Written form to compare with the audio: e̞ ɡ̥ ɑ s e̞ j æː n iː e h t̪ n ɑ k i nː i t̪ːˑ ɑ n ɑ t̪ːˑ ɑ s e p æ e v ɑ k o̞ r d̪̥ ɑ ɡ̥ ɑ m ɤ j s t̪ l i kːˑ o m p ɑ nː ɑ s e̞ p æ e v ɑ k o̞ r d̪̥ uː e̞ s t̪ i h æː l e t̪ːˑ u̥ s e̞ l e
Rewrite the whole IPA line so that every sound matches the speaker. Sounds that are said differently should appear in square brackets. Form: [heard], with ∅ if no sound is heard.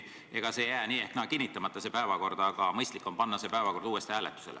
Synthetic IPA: e̞ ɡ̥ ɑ s e̞ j æː n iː e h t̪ n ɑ k i nː i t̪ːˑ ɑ [m] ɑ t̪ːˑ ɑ s e p æ e v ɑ k o̞ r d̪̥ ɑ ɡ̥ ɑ m ɤ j s t̪ l i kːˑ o m p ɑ nː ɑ s e̞ p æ e v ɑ k o̞ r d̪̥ uː e̞ s t̪ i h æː l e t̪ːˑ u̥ s e̞ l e